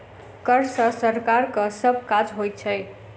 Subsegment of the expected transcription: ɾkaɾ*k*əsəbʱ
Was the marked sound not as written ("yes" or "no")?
no